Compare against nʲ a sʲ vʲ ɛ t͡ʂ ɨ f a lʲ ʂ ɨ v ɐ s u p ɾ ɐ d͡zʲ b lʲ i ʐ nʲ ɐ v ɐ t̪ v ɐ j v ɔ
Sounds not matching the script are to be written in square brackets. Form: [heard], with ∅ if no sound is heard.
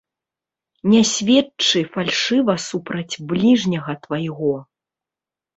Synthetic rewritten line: nʲ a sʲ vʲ ɛ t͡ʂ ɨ f a lʲ ʂ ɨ v ɐ s u p ɾ ɐ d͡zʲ b lʲ i ʐ nʲ ɐ [ɣ] ɐ t̪ v ɐ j [ɣ] ɔ